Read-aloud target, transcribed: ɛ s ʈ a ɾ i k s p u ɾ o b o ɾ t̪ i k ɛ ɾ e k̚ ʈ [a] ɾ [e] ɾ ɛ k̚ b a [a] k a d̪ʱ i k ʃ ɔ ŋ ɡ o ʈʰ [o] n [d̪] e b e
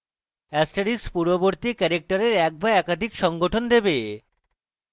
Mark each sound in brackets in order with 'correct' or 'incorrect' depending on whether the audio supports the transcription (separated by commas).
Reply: correct, correct, incorrect, correct, correct